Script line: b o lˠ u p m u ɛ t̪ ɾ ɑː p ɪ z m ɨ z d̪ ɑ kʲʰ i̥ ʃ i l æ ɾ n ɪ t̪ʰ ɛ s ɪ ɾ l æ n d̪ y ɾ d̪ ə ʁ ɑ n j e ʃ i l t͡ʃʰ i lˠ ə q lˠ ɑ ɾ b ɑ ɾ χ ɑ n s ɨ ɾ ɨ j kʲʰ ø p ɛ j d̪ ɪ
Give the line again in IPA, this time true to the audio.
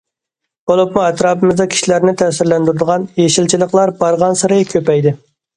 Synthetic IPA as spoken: b o lˠ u p m u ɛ t̪ ɾ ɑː p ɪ m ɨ z d̪ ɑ kʲʰ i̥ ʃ i l æ ɾ n ɪ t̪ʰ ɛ s ɪ ɾ l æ n d̪ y ɾ d̪ ə ʁ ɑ n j e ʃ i l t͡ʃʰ i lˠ ə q lˠ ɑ ɾ b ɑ ɾ ʁ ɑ n s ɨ ɾ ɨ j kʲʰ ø p ɛ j d̪ ɪ

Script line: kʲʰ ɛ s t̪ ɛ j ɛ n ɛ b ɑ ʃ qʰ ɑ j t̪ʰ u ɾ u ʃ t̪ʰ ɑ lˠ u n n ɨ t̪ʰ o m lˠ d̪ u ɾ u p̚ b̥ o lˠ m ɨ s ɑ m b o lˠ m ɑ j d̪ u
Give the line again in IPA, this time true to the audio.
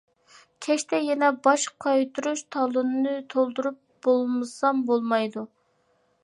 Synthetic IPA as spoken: kʲʰ ɛ ʃ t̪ ɛ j ɛ n ɛ b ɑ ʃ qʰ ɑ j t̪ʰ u ɾ u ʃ t̪ʰ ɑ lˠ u n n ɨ t̪ʰ o lˠ d̪ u ɾ u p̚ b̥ o lˠ m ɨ s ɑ m b o lˠ m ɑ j d̪ u

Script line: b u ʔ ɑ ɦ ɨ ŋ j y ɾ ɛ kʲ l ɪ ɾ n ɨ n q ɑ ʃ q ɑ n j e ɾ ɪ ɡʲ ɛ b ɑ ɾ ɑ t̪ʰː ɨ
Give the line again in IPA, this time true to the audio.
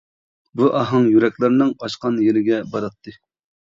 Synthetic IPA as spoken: b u ʔ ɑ ɦ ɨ ŋ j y ɾ ɛ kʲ l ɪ ɾ n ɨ ŋ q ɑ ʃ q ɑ n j e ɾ ɪ ɡʲ ɛ b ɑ ɾ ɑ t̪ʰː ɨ

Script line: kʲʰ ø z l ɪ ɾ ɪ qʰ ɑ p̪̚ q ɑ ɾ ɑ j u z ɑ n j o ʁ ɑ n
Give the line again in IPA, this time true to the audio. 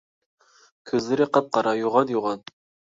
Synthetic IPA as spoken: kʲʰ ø z l ɪ ɾ ɪ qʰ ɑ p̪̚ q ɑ ɾ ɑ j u ʁ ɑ n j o ʁ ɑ n

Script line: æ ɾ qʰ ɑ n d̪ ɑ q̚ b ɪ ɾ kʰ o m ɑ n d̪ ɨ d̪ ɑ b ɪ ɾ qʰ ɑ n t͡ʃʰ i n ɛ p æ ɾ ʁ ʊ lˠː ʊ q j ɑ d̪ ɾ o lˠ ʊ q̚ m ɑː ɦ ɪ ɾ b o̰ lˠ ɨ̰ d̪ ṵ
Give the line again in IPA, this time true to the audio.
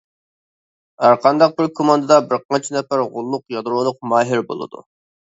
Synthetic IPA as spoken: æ ɾ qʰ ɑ n d̪ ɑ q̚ b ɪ ɾ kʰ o m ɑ n d̪ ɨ d̪ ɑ b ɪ ɾ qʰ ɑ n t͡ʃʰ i n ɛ p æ ɾ ʁ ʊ lˠː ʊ q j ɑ d̪ ɾ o lˠ ʊ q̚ m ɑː ɦ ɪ ɾ b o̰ lˠ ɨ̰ d̪ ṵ

